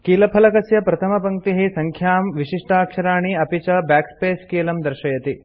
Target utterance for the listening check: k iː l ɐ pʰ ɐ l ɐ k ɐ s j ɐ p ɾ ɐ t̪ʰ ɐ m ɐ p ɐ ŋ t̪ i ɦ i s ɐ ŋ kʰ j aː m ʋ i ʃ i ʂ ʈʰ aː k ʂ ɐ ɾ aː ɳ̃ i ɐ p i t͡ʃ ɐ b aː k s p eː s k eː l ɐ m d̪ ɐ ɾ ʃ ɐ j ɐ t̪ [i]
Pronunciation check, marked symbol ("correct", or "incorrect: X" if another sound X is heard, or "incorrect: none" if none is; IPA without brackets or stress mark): correct